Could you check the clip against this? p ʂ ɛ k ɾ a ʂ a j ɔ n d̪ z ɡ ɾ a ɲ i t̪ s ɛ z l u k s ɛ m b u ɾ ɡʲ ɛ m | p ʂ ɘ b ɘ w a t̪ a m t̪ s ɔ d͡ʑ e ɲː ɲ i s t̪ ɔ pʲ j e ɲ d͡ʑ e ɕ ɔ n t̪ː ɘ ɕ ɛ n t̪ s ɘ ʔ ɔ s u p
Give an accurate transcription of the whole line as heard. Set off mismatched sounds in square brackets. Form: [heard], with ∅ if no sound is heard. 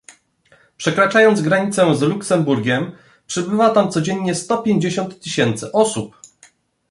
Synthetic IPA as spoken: p ʂ ɛ k ɾ a [t͡ʂ] a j ɔ n d̪ z ɡ ɾ a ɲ i t̪ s ɛ z l u k s ɛ m b u ɾ ɡʲ ɛ m | p ʂ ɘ b ɘ [v] a t̪ a m t̪ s ɔ d͡ʑ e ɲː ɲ [ɛ] s t̪ ɔ pʲ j e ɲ d͡ʑ e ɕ ɔ n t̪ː ɘ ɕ ɛ n t̪ s ɘ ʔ ɔ s u p